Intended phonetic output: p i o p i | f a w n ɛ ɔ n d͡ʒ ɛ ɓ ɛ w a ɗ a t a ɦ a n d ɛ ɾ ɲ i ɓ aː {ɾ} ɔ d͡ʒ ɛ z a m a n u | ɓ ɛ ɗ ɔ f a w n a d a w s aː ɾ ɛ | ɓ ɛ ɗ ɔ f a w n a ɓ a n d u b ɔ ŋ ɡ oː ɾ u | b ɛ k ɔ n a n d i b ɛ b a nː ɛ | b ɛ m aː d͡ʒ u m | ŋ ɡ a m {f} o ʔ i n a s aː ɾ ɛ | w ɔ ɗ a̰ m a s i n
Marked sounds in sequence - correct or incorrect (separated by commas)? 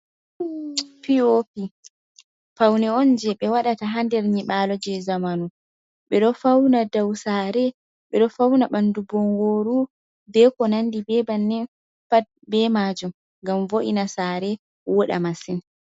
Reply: incorrect, incorrect